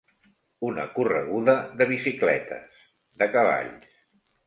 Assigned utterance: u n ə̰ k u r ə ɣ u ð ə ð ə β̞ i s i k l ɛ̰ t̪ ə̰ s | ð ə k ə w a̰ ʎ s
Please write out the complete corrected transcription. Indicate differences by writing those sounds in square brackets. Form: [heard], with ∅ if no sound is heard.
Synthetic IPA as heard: u n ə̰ k u r ə ɣ u ð ə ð ə β̞ i s i k l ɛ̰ t̪ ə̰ s | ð ə k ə [β] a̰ ʎ s